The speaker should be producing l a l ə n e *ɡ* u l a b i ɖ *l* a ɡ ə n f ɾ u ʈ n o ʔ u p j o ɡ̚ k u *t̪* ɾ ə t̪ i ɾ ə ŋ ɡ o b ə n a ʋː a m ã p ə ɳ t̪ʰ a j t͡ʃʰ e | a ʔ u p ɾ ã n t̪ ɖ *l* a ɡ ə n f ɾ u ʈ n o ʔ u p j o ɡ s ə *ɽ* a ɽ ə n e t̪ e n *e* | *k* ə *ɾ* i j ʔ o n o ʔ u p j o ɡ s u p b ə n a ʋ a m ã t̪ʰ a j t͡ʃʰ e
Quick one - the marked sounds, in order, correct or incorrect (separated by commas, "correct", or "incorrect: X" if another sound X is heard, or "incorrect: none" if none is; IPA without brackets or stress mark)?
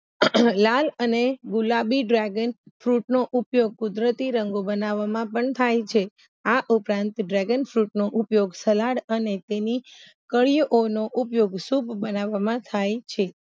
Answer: correct, incorrect: ɾ, incorrect: d̪, incorrect: ɾ, incorrect: l, incorrect: i, correct, incorrect: ɭ